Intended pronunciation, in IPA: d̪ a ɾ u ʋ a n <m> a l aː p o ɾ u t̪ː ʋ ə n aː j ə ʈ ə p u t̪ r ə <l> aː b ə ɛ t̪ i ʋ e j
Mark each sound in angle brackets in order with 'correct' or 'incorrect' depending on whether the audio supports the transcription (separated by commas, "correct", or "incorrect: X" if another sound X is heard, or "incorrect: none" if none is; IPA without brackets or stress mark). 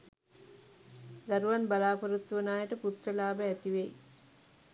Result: incorrect: b, correct